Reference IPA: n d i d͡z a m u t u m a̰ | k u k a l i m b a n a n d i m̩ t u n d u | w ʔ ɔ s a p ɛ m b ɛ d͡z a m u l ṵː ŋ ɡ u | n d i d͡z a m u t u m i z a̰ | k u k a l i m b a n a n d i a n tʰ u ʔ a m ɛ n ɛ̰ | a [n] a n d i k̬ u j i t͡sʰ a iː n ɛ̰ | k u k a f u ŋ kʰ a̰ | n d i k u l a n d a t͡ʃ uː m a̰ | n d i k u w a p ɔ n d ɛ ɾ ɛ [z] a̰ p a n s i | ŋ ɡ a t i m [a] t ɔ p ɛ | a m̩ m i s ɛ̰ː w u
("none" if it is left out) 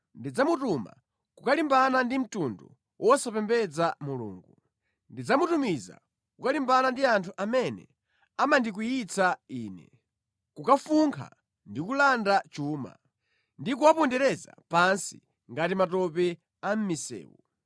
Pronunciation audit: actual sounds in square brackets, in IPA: m, z, a

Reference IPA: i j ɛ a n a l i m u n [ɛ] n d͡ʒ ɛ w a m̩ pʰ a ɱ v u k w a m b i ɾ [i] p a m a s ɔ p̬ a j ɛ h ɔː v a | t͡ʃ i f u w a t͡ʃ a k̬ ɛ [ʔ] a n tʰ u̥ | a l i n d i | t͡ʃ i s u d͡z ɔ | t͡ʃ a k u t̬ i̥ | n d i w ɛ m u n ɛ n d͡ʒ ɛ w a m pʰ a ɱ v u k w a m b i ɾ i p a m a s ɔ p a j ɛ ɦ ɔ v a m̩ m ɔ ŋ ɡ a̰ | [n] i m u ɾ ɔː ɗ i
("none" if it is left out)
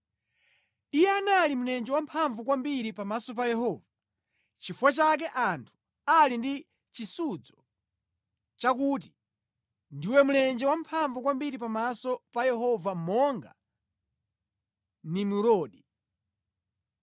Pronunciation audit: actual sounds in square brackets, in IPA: ɛ, i, ʔ, n

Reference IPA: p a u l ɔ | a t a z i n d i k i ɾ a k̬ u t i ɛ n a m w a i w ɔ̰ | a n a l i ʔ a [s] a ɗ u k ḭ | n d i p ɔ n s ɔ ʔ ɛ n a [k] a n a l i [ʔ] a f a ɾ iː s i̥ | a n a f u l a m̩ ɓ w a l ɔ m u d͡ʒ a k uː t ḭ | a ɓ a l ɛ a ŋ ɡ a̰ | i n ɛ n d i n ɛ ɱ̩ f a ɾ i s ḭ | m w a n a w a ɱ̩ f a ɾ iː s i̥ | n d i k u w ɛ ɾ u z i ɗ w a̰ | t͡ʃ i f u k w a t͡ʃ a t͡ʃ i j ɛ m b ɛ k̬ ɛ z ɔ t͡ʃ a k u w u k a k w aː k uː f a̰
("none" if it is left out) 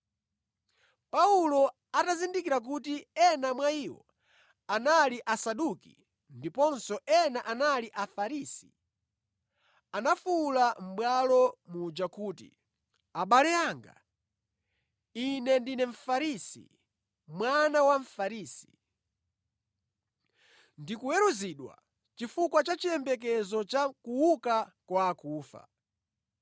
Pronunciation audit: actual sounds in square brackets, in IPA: s, ʔ, ʔ

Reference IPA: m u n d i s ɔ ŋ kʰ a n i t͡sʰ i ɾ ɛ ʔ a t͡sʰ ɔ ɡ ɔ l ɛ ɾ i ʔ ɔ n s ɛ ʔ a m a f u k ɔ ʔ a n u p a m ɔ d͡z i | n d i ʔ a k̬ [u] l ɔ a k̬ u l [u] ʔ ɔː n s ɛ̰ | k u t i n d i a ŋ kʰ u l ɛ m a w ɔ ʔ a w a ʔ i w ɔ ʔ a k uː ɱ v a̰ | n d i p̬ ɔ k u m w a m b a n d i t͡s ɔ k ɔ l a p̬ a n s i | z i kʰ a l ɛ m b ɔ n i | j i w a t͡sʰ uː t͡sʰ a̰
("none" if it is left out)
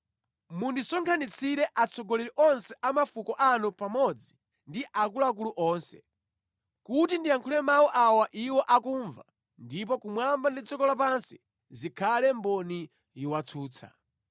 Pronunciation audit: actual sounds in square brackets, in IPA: u, u

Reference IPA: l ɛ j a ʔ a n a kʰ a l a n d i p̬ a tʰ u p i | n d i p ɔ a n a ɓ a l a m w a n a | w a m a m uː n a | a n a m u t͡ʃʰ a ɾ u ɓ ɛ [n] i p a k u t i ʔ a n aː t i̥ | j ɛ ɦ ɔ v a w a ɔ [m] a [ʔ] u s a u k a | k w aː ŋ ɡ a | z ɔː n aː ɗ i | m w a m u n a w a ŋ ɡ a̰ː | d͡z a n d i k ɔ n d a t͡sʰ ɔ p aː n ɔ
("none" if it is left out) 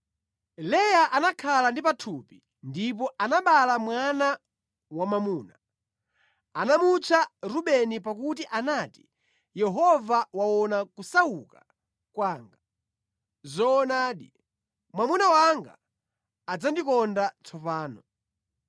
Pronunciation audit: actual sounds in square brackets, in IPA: n, n, k

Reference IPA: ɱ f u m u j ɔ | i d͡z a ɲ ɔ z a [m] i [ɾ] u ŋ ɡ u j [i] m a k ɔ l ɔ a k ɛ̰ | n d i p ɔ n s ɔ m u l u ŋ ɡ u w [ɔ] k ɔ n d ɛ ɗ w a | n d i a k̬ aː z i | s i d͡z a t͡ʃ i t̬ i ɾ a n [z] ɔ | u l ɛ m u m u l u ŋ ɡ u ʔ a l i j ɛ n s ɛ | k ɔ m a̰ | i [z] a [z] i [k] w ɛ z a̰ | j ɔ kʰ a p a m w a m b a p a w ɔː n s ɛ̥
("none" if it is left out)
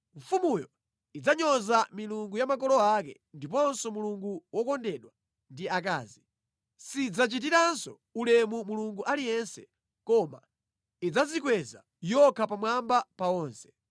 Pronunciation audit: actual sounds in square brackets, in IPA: m, l, a, ɔ, s, d͡z, z, k

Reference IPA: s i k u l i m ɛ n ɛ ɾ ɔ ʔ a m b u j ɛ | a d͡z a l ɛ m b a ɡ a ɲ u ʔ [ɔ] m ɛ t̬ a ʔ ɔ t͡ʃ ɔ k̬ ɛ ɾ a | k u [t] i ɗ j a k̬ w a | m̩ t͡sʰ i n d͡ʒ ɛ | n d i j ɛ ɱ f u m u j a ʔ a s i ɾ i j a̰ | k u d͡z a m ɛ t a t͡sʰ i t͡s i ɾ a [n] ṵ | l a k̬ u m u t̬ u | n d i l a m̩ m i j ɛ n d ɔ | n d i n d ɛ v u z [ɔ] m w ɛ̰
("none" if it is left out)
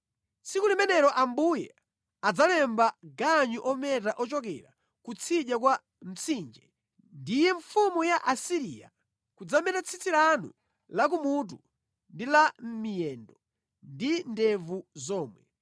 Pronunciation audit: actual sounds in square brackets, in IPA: ɔ, t͡sʰ, n, ɔː

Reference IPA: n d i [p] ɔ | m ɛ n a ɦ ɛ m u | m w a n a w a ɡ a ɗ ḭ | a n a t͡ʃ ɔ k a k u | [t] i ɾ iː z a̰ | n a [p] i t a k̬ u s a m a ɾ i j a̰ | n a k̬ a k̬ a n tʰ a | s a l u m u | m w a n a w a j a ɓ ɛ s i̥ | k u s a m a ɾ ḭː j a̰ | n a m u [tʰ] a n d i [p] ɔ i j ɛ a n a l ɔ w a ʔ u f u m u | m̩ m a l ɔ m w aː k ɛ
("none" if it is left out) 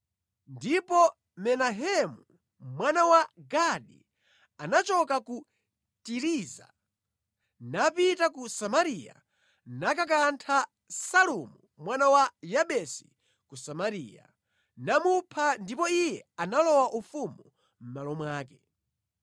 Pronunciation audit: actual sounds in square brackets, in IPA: p, t, p, pʰ, p

